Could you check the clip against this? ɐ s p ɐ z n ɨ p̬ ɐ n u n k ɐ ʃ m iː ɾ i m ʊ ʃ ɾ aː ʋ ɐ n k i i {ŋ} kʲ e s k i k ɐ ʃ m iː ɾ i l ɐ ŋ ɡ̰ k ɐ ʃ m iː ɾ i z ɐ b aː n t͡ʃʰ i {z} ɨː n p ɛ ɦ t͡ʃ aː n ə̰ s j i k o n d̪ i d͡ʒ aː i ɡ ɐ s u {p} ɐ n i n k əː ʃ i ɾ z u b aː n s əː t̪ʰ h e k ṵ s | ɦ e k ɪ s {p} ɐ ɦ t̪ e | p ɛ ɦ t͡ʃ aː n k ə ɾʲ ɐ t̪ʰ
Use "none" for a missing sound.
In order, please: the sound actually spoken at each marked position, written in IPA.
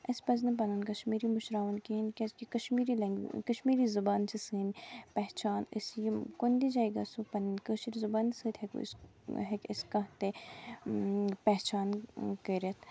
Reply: n, s, p, k

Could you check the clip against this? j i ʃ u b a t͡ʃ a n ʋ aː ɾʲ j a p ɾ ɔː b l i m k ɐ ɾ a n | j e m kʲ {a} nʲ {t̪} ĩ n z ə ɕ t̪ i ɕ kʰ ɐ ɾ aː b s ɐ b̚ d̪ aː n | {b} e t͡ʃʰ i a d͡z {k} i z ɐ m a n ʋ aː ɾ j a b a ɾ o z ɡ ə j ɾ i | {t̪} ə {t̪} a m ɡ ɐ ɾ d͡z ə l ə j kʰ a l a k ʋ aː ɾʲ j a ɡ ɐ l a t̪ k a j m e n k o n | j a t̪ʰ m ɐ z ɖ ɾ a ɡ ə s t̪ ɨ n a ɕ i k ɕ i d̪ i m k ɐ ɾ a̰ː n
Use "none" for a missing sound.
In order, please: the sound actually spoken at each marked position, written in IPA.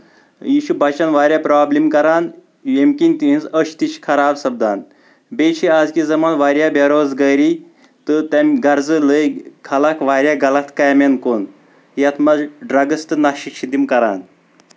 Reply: i, t̪, b, k, t̪, t̪

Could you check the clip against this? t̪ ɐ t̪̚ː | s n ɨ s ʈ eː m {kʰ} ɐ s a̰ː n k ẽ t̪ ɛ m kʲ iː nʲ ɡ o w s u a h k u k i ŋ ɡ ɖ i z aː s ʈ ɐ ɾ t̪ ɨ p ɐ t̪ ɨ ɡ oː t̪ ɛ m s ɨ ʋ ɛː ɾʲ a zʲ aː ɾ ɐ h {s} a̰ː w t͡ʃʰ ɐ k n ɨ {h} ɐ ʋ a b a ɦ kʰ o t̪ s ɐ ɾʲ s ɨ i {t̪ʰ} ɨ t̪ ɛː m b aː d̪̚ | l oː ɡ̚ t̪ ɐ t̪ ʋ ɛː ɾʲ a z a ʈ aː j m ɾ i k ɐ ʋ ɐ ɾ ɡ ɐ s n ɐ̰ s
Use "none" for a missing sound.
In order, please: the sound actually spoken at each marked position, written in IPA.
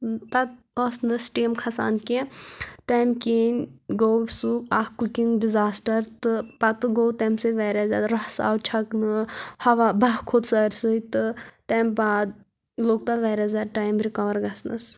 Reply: kʰ, s, h, t̪

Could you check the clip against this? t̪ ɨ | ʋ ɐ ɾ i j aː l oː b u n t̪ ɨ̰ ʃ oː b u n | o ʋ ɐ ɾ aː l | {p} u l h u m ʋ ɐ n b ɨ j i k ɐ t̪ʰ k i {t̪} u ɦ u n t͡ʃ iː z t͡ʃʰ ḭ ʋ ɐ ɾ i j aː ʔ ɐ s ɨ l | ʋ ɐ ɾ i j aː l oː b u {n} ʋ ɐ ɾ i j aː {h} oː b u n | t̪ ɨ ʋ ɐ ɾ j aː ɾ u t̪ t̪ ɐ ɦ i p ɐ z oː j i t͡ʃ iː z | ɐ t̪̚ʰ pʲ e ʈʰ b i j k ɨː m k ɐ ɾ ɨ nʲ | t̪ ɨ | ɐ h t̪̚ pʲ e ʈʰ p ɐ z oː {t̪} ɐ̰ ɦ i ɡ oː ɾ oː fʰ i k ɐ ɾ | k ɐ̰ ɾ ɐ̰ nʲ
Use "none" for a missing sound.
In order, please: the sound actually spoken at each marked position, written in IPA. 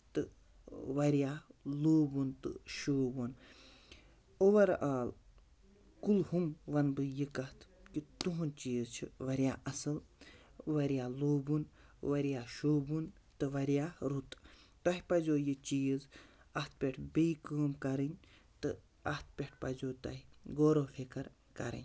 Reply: k, t̪, n, ʃ, t̪

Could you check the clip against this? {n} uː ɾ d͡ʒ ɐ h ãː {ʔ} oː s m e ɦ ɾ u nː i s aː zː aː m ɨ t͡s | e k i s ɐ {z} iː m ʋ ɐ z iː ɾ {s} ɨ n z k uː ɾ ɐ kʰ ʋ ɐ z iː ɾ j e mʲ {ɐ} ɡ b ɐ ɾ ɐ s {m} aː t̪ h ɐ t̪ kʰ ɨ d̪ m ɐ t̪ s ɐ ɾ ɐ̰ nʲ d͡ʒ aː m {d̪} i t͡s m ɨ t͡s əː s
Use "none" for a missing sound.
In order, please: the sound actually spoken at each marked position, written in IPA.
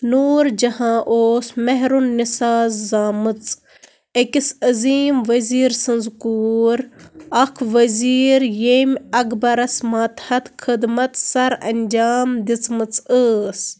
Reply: n, ʔ, z, s, ɐ, m, d̪

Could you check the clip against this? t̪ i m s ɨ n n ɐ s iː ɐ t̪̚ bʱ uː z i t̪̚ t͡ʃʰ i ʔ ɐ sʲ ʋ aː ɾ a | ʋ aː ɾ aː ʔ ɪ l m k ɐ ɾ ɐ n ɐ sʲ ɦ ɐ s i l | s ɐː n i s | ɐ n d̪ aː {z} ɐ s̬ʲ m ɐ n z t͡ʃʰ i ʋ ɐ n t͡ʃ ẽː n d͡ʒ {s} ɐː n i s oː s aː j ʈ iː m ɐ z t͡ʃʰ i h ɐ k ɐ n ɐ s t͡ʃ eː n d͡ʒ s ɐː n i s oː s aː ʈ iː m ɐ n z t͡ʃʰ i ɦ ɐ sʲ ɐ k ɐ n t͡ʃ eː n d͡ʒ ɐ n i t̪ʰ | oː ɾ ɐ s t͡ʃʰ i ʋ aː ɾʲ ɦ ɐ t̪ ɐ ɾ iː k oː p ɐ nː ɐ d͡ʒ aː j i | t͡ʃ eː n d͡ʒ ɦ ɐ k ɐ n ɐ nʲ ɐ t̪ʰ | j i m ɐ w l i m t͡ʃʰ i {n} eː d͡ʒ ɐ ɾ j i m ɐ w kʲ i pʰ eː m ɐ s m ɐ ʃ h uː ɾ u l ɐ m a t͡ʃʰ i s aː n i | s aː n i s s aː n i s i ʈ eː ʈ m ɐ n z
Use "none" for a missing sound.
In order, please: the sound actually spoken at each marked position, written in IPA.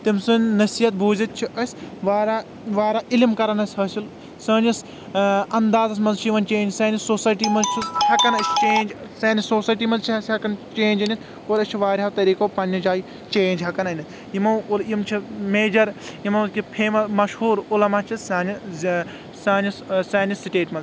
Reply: z, s, m

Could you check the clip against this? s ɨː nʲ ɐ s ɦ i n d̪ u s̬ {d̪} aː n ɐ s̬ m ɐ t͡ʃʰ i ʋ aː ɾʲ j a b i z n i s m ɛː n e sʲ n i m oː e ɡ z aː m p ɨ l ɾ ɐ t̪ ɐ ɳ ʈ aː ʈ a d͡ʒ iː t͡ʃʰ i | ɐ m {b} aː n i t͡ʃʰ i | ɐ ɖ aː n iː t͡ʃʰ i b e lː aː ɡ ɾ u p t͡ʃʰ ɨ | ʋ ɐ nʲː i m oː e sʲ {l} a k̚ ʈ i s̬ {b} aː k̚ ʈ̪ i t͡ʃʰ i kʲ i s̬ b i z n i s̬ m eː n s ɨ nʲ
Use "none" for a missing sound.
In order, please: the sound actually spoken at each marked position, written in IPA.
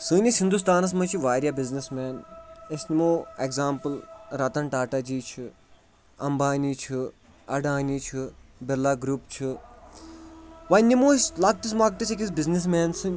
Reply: t̪, b, l, m

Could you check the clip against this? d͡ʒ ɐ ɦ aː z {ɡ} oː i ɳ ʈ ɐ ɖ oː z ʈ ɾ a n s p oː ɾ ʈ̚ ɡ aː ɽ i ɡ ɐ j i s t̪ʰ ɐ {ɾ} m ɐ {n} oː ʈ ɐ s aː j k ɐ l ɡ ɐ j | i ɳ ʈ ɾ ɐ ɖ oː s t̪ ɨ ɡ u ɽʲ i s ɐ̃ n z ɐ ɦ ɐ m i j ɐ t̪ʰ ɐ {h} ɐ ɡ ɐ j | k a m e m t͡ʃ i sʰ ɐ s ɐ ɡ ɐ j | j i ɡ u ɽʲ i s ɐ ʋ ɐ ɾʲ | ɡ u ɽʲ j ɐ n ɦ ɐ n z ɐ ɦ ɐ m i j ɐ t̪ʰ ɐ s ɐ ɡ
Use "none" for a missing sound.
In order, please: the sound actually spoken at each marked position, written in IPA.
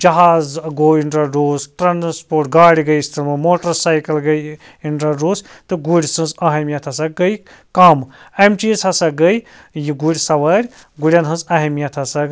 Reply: ɡ, ɾ, m, s

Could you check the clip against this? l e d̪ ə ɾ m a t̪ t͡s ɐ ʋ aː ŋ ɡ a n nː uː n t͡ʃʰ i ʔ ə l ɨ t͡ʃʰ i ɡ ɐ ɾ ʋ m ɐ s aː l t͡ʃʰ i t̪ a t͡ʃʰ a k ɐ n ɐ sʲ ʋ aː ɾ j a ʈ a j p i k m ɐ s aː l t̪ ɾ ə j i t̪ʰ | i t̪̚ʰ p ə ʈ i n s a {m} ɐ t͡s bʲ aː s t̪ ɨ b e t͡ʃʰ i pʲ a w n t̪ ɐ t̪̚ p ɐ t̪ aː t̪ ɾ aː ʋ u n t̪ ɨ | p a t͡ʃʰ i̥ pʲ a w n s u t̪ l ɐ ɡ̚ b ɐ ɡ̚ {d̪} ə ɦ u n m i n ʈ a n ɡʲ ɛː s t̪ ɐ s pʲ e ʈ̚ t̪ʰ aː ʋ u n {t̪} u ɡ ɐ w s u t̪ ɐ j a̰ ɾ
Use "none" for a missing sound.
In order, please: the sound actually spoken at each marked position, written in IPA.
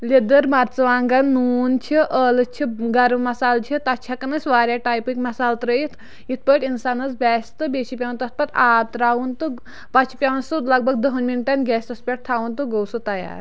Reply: n, d̪, t̪

